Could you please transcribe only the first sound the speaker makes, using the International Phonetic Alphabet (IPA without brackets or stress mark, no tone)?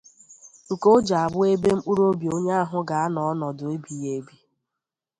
k